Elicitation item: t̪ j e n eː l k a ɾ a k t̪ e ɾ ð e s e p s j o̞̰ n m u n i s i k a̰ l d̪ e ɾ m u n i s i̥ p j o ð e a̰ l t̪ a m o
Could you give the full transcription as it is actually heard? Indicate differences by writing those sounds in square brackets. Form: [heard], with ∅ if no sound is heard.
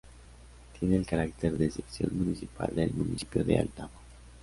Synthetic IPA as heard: t̪ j e n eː l k a ɾ a k t̪ e ɾ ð e s e p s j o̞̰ n m u n i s i [p] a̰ l d̪ e [l] m u n i s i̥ p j o ð e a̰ l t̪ a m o